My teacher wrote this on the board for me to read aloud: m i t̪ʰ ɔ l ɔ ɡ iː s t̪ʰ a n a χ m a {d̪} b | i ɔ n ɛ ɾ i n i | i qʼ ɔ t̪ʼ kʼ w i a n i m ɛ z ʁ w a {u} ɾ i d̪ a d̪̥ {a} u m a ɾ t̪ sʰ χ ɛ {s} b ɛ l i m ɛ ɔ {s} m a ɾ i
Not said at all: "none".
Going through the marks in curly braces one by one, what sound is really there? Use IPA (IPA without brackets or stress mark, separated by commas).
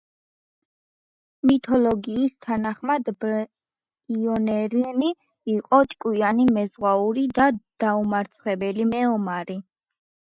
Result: d̪, u, a, none, none